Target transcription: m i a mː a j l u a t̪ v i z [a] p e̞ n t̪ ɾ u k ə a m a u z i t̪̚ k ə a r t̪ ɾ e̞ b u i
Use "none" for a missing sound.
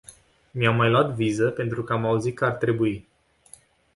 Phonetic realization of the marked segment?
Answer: ə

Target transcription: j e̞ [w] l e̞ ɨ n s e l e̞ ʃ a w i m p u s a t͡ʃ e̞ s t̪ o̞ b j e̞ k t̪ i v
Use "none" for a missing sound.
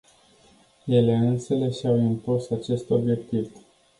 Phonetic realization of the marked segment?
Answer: none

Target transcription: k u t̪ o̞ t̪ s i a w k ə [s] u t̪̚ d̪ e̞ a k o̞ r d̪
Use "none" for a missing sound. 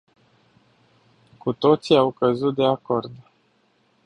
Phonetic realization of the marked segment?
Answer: z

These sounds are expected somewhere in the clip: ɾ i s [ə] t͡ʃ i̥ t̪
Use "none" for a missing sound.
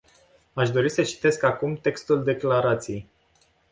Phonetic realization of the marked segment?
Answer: ə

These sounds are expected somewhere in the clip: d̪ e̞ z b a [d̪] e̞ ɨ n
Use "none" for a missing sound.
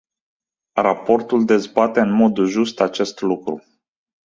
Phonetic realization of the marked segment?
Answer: t̪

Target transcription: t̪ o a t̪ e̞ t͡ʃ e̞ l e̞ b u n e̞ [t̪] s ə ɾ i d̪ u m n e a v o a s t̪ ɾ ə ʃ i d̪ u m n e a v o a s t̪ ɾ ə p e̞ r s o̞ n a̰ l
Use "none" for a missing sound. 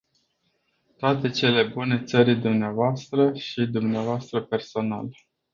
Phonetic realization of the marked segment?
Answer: t̪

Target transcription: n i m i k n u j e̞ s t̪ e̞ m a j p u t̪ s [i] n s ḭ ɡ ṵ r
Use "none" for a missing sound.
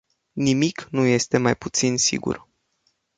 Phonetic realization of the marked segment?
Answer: i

